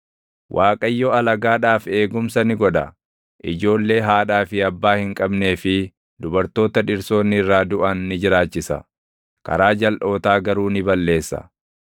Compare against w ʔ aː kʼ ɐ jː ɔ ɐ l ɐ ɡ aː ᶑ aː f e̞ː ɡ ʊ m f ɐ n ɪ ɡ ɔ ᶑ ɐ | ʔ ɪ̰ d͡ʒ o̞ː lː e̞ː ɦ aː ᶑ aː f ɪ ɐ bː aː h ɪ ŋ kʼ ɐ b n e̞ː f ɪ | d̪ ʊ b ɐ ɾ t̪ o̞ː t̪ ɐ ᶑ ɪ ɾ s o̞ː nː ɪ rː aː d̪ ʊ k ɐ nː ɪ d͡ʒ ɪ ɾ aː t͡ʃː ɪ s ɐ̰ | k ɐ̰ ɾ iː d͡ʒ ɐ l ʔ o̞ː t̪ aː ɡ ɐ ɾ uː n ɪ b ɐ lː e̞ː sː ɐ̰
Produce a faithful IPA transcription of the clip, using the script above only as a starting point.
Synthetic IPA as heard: w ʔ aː kʼ ɐ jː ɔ ɐ l ɐ ɡ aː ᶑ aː f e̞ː ɡ ʊ m s ɐ n ɪ ɡ ɔ ᶑ ɐ | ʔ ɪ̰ d͡ʒ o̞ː lː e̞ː ɦ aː ᶑ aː f ɪ ɐ bː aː h ɪ ŋ kʼ ɐ b n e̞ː f ɪ | d̪ ʊ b ɐ ɾ t̪ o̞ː t̪ ɐ ᶑ ɪ ɾ s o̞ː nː ɪ rː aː d̪ ʊ ʔ ɐ nː ɪ d͡ʒ ɪ ɾ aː t͡ʃː ɪ s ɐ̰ | k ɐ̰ ɾ aː d͡ʒ ɐ l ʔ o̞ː t̪ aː ɡ ɐ ɾ uː n ɪ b ɐ lː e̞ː sː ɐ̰